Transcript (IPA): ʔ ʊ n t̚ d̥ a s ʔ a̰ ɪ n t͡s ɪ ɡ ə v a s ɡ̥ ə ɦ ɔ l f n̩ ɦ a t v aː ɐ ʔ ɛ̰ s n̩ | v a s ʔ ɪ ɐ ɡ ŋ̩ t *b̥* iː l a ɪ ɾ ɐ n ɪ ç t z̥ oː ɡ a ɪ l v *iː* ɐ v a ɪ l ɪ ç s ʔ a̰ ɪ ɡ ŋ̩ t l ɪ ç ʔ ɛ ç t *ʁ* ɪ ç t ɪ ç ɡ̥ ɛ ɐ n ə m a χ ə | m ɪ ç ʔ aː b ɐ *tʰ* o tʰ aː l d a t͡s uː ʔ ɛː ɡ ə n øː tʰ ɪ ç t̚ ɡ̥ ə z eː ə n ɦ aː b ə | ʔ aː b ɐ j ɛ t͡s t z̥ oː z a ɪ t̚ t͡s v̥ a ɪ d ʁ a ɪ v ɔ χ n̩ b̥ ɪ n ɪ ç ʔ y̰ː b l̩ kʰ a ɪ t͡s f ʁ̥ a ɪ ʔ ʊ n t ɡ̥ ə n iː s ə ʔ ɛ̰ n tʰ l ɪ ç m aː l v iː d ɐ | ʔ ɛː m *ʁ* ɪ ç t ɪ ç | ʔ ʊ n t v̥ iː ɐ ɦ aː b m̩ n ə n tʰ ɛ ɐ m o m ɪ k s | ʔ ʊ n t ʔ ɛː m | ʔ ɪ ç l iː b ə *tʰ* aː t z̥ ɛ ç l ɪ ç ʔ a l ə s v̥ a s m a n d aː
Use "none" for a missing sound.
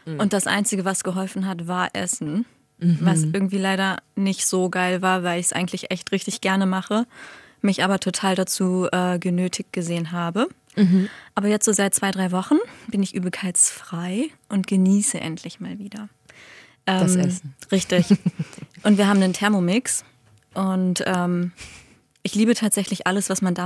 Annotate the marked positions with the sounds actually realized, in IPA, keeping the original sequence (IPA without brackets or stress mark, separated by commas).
v̥, aː, ʁ, tʰ, ʁ, tʰ